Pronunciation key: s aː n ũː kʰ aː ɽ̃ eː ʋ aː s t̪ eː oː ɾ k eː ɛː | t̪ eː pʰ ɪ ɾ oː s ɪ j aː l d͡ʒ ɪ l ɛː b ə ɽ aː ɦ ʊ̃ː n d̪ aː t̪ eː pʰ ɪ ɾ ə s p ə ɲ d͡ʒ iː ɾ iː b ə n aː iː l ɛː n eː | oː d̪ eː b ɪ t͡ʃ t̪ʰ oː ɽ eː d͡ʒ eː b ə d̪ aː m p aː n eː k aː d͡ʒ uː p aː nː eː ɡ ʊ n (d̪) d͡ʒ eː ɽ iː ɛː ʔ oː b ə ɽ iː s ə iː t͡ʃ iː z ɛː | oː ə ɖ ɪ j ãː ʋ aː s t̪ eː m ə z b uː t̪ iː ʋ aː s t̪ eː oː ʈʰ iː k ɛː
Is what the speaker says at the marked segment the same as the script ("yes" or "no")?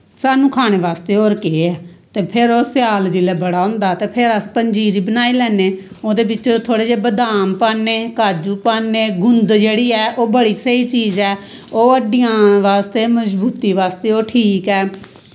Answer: yes